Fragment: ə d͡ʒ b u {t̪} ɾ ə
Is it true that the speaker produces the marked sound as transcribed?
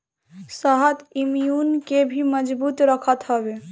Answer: yes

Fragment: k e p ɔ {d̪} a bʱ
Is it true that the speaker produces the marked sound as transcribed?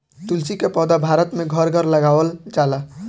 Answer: yes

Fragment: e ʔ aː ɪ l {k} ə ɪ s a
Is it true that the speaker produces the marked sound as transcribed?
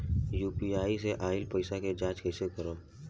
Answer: no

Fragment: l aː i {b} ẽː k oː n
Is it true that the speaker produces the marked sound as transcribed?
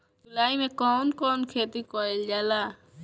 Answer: no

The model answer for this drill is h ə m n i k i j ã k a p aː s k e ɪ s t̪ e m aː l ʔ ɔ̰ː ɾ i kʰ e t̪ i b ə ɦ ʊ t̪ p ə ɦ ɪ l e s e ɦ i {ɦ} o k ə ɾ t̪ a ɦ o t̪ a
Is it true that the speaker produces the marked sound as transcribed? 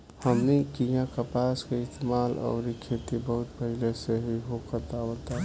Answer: yes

